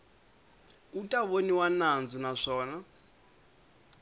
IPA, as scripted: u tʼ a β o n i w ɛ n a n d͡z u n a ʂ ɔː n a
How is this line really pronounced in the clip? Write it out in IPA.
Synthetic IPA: u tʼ a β o n i w a n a n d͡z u n a ʂ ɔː n a